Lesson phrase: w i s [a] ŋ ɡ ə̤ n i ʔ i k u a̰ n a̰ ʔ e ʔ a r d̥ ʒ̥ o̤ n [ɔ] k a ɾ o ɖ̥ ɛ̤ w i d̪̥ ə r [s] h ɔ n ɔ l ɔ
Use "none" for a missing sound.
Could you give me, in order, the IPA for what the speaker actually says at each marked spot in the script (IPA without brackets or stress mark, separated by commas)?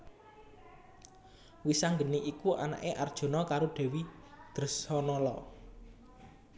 a, ɔ, s